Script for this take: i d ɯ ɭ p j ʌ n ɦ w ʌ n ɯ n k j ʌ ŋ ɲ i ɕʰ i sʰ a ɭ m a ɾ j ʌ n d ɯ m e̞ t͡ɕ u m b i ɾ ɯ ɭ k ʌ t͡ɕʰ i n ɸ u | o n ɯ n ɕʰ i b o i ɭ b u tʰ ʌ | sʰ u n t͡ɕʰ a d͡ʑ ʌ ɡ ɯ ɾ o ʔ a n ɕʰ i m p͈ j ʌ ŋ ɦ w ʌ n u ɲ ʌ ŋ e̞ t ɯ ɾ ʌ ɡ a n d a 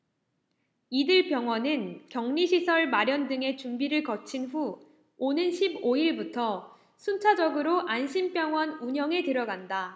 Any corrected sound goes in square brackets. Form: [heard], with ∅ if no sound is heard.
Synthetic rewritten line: i d ɯ ɭ p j ʌ [ŋ] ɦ w ʌ n ɯ n k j ʌ ŋ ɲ i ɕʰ i sʰ [ʌ] ɭ m a ɾ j ʌ n d ɯ [ŋ] e̞ t͡ɕ u m b i ɾ ɯ ɭ k ʌ t͡ɕʰ i n ɸ u | o n ɯ n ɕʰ i b o i ɭ b u tʰ ʌ | sʰ u n t͡ɕʰ a d͡ʑ ʌ ɡ ɯ ɾ o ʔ a n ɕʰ i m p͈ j ʌ ŋ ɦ w ʌ n u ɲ ʌ ŋ e̞ t ɯ ɾ ʌ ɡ a n d a